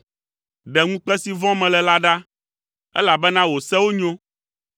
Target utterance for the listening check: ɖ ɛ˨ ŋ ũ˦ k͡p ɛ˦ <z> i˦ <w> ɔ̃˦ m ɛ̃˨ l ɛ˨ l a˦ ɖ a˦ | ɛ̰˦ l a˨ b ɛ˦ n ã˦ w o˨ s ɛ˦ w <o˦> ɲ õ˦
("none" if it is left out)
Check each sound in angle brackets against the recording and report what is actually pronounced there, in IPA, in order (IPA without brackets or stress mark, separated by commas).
s, v, o˦